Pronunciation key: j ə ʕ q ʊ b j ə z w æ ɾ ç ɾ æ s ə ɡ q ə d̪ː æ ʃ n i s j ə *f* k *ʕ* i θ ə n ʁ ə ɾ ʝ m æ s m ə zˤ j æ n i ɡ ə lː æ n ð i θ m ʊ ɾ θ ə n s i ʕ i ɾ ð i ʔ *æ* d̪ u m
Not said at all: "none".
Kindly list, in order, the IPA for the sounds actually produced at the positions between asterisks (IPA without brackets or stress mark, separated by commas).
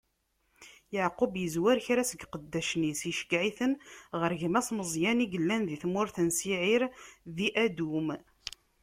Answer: ʃ, ʕ, æ